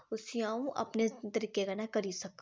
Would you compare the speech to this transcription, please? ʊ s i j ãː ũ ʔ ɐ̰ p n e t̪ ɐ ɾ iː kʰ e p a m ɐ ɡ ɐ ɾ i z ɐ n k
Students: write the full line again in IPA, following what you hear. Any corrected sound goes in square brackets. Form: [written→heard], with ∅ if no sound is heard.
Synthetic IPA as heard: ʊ s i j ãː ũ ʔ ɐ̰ p n e t̪ ɐ ɾ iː [kʰ→k] e [p→k] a [m→n] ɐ [ɡ→k] ɐ ɾ i [z→s] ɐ [n→∅] k

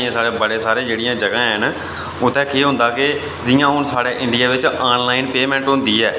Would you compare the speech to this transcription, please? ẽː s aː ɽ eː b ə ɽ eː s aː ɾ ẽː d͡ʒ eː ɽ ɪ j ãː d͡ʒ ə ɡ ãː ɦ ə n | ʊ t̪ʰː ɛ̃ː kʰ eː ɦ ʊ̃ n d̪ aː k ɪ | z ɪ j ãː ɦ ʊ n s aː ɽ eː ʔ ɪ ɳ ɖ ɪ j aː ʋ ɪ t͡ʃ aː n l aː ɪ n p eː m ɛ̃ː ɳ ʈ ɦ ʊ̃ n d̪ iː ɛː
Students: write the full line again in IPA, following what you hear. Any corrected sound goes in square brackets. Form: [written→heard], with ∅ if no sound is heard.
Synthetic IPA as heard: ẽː s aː ɽ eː b ə ɽ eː s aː ɾ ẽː d͡ʒ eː ɽ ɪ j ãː d͡ʒ ə ɡ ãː ɦ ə n | ʊ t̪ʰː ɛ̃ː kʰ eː ɦ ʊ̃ n d̪ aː k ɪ | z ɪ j ãː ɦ ʊ n s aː ɽ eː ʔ ɪ ɳ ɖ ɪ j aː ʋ ɪ t͡ʃ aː n l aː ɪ n p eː m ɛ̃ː ɳ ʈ ɦ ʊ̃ n d̪ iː ɛː

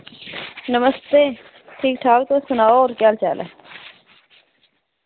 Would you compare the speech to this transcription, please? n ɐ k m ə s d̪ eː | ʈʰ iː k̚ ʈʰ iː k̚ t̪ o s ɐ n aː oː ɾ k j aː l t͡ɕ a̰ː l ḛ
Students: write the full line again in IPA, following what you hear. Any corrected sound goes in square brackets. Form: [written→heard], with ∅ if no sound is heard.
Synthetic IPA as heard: n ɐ [k→∅] m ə s [d̪→t̪] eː | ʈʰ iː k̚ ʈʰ [iː→aː] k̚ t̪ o s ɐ n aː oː ɾ k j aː l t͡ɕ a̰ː l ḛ

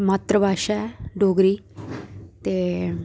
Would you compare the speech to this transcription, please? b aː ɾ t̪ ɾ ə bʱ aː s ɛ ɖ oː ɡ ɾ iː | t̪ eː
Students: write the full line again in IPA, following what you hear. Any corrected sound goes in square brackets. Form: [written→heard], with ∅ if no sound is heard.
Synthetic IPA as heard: [b→m] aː [ɾ→∅] t̪ ɾ ə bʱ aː [s→ʃ] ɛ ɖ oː ɡ ɾ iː | t̪ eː

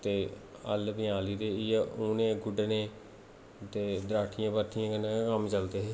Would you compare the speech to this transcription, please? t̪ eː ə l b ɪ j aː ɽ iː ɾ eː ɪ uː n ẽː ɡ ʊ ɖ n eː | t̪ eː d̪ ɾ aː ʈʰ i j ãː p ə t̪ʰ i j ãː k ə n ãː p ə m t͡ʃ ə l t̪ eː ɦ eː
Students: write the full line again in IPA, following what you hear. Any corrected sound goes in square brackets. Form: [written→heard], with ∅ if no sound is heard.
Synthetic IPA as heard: t̪ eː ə l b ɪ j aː [ɽ→l] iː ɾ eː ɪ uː n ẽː ɡ ʊ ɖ n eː | t̪ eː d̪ ɾ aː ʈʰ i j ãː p ə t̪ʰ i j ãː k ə n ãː [p→k] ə m t͡ʃ ə l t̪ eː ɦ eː

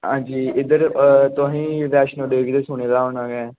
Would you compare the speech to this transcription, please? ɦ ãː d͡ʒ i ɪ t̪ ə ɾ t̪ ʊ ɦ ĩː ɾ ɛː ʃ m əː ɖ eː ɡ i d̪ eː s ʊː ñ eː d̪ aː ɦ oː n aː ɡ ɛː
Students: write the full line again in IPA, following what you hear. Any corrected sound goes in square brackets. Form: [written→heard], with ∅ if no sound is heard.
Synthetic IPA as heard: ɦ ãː d͡ʒ [i→iː] ɪ [t̪→d̪] ə ɾ t̪ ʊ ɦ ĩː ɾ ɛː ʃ [m→n] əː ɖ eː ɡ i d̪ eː s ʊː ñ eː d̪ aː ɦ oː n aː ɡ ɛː

